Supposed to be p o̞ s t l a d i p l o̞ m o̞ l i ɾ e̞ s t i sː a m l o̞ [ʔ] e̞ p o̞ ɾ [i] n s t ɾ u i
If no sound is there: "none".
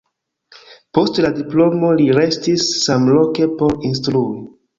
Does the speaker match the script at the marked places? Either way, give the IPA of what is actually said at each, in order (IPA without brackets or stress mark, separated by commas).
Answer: k, i